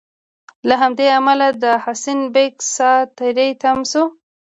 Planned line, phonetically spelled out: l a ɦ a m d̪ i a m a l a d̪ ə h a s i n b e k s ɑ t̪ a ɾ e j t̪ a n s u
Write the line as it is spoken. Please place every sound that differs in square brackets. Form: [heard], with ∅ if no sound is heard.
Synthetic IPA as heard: l a ɦ a m d̪ [e] a m a l a d̪ ə h a s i n b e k s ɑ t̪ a ɾ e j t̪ a [m] s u